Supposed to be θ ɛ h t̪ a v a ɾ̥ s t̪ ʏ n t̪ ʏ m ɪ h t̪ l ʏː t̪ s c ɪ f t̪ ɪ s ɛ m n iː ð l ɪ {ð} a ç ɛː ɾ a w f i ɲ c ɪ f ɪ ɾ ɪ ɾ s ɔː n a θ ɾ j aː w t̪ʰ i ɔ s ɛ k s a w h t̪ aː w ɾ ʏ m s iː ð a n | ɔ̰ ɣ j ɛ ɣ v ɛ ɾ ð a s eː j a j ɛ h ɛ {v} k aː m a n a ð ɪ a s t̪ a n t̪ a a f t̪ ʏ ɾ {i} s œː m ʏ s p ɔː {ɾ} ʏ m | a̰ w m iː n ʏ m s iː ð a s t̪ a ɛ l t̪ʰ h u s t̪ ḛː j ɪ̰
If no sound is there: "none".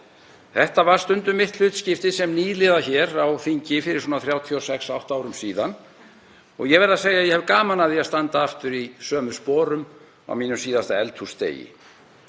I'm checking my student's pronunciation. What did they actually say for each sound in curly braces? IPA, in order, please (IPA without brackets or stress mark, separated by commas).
ð, v, i, ɾ